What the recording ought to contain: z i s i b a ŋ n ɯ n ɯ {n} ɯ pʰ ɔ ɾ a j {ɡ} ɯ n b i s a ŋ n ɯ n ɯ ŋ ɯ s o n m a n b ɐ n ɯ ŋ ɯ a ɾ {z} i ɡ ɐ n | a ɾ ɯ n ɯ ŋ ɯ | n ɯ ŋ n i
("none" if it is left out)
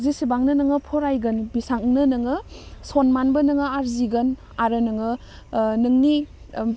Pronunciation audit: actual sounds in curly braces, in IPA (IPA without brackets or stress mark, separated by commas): ŋ, ɡ, z